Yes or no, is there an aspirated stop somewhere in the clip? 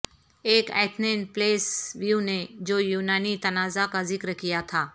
yes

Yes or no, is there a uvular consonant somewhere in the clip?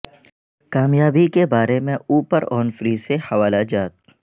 no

